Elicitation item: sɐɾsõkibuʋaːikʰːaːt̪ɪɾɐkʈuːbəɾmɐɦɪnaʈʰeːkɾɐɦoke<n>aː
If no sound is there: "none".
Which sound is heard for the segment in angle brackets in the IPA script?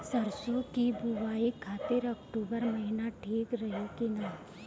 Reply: n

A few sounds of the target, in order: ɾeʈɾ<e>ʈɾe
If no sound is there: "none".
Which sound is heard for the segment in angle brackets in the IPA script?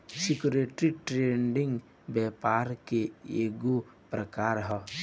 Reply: i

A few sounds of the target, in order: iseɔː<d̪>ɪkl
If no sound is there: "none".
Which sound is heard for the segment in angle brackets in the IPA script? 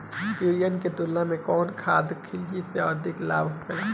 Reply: d̪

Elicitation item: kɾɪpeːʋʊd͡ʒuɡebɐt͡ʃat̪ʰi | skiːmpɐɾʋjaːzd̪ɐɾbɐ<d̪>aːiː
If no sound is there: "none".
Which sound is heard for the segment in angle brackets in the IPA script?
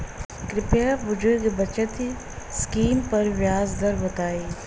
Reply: t̪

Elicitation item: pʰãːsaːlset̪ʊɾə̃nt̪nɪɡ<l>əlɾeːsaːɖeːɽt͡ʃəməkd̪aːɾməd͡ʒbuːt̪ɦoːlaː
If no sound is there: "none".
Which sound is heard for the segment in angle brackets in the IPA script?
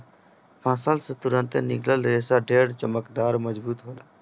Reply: l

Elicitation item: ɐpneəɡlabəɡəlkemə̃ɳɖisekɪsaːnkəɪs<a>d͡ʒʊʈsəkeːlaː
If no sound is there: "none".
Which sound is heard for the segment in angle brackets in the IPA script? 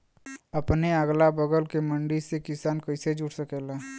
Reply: e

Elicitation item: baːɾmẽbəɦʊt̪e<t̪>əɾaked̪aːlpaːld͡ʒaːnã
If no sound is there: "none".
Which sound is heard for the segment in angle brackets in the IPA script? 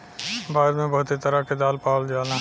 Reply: t̪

